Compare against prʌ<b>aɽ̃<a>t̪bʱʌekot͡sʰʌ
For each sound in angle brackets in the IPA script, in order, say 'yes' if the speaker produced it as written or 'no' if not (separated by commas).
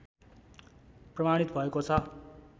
no, no